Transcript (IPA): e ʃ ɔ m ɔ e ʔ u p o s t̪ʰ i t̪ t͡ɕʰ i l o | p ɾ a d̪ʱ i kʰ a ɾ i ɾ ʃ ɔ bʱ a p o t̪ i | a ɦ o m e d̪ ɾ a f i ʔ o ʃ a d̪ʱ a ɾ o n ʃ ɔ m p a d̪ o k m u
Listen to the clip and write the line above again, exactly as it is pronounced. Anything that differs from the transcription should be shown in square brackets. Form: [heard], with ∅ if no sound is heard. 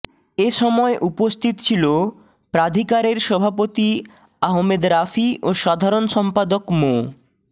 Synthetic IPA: e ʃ ɔ m ɔ e ʔ u p o s t̪ʰ i t̪ t͡ɕʰ i l o | p ɾ a d̪ʱ i [k] a ɾ [e] ɾ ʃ ɔ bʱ a p o t̪ i | a ɦ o m e d̪ ɾ a f i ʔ o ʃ a d̪ʱ a ɾ o n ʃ ɔ m p a d̪ o k m [o]